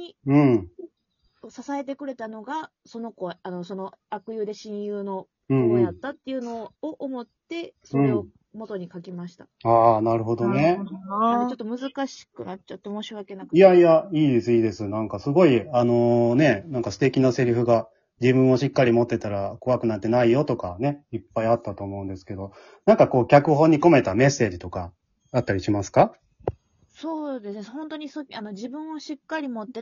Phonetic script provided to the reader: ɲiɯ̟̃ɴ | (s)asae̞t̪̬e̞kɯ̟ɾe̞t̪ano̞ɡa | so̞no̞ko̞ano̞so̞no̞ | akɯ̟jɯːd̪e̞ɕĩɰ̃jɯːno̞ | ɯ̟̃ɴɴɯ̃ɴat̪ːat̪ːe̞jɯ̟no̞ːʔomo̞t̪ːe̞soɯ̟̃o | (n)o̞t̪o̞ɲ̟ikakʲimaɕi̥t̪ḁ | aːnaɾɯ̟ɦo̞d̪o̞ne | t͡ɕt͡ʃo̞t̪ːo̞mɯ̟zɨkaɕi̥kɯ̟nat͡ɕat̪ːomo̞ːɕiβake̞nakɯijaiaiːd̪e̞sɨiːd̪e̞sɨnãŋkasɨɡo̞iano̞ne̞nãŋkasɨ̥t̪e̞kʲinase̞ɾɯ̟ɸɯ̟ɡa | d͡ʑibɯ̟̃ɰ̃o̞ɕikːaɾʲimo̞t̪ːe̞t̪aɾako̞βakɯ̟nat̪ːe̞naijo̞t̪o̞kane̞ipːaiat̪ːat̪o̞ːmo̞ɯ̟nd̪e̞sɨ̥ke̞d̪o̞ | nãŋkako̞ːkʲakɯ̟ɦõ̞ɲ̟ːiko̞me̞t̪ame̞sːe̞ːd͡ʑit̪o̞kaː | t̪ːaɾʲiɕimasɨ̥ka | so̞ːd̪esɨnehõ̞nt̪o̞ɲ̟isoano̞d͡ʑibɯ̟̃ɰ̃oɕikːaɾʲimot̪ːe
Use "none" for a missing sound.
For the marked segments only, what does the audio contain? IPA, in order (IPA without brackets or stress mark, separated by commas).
s, m